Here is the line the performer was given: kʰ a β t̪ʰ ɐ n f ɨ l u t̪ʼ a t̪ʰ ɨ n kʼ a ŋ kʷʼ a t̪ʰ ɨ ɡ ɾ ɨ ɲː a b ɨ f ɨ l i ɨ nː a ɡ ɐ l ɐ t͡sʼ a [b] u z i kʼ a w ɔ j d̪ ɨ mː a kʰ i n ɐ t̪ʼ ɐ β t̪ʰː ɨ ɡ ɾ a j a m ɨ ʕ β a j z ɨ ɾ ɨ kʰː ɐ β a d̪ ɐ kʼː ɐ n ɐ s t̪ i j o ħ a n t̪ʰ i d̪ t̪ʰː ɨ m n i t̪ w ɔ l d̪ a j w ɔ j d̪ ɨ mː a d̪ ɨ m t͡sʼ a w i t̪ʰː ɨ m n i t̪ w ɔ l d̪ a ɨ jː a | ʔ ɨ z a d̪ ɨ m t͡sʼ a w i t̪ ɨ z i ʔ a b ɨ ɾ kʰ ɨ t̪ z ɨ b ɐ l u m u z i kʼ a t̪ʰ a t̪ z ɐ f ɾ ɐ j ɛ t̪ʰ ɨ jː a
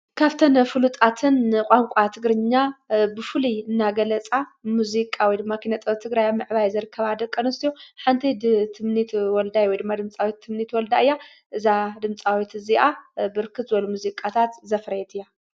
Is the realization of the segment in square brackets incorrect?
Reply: yes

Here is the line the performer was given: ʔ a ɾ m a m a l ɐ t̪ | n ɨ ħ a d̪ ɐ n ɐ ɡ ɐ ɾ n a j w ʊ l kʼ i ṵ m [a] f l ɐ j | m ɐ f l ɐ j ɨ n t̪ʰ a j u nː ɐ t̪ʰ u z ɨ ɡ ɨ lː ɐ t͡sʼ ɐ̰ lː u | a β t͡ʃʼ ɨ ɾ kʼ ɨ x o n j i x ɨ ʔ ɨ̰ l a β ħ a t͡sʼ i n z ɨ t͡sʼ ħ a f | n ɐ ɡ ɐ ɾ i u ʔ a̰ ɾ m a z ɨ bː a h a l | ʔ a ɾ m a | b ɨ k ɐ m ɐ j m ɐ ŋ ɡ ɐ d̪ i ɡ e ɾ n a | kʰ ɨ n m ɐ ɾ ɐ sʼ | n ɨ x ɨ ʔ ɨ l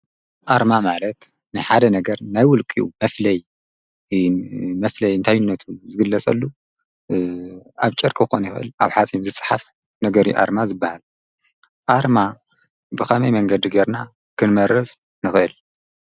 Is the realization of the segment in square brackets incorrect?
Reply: yes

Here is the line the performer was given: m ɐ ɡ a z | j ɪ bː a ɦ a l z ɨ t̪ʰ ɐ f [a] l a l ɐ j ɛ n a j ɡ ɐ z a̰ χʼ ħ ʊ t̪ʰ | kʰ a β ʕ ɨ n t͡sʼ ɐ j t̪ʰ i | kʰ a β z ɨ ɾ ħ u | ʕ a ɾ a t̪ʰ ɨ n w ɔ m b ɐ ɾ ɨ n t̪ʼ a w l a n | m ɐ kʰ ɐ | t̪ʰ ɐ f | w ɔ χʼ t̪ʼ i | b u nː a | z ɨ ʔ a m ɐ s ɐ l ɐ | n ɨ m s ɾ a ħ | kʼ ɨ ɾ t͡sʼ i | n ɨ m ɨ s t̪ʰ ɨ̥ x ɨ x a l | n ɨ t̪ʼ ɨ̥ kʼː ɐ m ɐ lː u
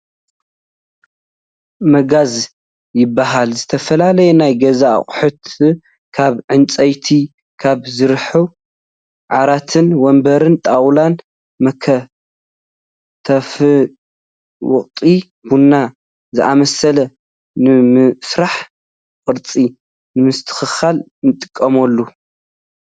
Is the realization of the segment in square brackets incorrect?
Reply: yes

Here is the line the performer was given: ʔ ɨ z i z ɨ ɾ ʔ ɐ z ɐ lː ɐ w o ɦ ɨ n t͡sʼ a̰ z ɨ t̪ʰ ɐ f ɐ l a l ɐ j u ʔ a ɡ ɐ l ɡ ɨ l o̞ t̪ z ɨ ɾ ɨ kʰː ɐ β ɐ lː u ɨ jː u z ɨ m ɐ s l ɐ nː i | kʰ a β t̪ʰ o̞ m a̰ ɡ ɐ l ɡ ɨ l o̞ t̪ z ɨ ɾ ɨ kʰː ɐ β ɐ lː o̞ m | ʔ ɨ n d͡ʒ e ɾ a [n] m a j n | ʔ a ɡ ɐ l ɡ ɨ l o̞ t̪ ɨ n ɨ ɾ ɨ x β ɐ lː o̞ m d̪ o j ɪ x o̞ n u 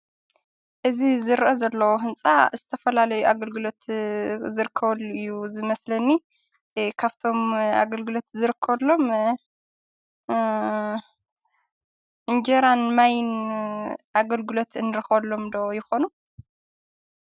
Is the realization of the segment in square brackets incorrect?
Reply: no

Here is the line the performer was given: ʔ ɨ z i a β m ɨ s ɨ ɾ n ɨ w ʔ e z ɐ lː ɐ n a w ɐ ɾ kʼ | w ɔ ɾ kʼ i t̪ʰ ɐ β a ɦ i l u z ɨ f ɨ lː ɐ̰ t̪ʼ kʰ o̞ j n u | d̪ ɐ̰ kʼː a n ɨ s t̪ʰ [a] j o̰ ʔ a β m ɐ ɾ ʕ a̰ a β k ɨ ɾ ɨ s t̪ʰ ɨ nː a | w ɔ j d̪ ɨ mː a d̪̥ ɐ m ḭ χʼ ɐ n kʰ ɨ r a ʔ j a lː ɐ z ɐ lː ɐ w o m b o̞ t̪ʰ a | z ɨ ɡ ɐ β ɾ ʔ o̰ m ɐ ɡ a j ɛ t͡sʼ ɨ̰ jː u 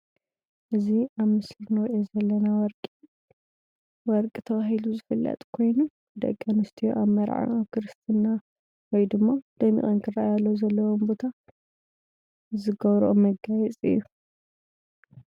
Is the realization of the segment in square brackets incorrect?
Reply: yes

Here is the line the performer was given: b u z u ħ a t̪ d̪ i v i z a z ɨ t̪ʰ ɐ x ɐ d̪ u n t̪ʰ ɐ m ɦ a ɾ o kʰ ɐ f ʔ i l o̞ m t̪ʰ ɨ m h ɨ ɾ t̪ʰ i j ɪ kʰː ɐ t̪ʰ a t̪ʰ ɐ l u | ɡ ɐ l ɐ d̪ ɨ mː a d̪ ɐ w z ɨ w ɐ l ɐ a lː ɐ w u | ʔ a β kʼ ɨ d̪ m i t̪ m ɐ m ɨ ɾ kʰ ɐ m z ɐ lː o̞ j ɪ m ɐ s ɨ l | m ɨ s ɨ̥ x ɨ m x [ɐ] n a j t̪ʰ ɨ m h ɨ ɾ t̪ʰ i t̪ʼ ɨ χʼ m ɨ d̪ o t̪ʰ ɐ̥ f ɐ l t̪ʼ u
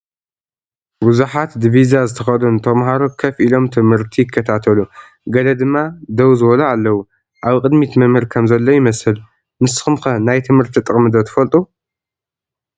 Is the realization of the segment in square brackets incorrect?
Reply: no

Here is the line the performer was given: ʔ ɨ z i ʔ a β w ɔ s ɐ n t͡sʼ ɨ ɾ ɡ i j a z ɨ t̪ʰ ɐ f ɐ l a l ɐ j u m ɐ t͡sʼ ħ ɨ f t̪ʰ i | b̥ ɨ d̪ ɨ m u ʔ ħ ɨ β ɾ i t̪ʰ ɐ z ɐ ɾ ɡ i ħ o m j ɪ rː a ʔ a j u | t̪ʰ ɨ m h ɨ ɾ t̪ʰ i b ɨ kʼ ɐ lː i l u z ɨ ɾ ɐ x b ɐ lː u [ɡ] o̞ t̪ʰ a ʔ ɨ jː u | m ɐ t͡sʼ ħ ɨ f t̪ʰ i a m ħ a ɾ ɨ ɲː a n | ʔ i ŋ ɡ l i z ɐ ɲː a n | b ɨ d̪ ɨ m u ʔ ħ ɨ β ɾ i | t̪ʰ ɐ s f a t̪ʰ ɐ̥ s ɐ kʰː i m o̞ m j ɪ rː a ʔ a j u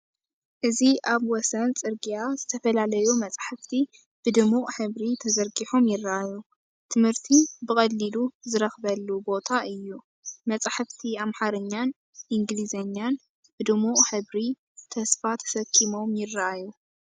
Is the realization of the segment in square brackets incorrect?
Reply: yes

